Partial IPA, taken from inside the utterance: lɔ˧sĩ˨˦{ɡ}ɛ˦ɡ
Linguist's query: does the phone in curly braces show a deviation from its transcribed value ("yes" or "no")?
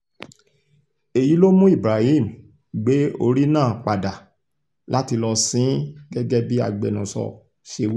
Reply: no